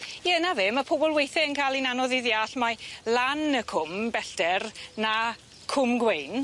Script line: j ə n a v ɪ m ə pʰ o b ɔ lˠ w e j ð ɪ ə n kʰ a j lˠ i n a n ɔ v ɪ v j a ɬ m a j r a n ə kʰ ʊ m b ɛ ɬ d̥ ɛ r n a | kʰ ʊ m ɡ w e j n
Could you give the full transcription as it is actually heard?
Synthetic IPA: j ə n a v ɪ m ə pʰ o b ɔ lˠ w e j θ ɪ ə n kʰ a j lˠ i n a n ɔ ð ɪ ð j a ɬ m a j l a n ə kʰ ʊ m b ɛ ɬ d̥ ɛ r n a | kʰ ʊ m ɡ w e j n